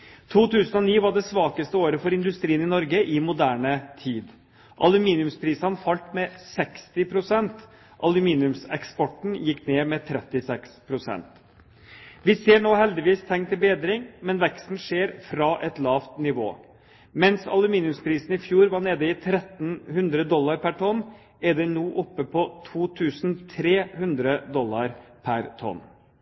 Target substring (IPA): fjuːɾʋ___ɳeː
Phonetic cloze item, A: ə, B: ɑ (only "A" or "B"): B